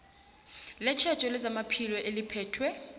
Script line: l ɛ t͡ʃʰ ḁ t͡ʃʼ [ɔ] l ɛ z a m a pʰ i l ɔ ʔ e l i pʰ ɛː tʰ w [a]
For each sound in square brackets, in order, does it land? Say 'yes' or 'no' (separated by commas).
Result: yes, no